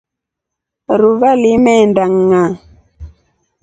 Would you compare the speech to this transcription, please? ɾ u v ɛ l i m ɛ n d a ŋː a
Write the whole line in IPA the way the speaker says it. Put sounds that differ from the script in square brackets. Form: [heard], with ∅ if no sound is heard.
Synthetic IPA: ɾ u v [a] l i m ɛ n d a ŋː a